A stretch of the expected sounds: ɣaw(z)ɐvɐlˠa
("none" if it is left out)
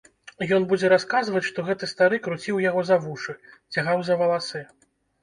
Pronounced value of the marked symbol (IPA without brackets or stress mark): z